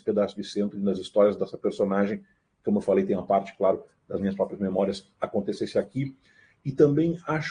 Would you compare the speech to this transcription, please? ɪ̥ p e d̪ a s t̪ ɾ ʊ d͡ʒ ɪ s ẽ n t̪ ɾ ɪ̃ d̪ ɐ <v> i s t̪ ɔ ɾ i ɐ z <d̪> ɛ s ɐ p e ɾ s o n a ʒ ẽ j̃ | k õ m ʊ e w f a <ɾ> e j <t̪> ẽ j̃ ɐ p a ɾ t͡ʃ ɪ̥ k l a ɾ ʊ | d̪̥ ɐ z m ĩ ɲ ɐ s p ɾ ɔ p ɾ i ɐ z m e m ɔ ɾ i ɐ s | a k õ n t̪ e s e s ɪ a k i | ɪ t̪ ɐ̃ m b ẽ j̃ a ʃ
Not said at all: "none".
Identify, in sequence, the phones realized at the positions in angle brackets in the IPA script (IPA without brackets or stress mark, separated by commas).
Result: z, d̪, l, t̪